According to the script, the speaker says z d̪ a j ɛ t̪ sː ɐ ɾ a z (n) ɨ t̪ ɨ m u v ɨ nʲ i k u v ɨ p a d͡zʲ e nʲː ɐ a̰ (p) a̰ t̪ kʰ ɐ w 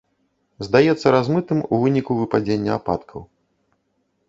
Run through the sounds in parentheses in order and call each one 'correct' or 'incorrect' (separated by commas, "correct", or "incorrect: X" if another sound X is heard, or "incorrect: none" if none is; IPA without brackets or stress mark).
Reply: incorrect: m, correct